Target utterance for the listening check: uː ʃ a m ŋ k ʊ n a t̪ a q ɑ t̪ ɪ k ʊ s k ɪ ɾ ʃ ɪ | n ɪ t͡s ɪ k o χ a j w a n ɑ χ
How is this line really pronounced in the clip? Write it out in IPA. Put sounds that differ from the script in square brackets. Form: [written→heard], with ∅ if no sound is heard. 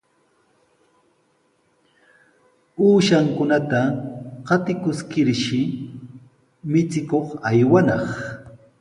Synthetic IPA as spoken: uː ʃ a [m→∅] ŋ k ʊ n a t̪ a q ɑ t̪ ɪ k ʊ s k ɪ ɾ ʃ ɪ | [n→m] ɪ t͡s ɪ k o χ a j w a n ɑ χ